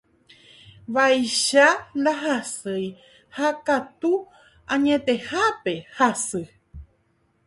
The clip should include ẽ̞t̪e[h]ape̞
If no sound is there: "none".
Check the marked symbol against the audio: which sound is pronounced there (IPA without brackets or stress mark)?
h